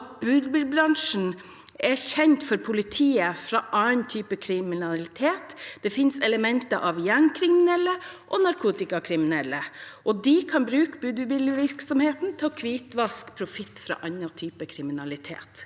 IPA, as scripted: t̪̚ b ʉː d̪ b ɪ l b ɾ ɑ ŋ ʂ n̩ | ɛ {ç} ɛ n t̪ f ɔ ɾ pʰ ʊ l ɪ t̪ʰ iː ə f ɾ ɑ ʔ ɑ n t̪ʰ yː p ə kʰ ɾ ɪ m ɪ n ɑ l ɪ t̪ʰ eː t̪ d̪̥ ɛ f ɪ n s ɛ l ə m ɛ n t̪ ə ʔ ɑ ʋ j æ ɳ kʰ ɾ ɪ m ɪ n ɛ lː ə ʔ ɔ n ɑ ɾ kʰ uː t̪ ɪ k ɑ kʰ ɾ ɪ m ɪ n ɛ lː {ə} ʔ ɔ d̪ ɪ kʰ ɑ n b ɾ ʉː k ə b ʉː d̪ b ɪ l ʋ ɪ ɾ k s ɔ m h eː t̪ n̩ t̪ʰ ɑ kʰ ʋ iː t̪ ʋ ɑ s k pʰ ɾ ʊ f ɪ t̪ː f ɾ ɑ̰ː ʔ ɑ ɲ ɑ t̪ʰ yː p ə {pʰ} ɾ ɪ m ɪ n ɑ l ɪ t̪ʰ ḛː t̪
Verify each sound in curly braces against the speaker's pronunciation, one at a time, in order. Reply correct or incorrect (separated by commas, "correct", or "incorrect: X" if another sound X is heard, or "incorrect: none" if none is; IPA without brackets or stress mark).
correct, correct, incorrect: kʰ